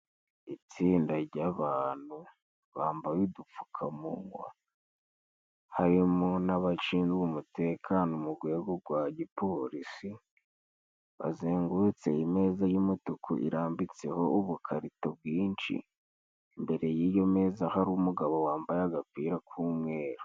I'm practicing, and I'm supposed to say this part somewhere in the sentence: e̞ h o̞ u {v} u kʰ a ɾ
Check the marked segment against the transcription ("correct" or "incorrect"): incorrect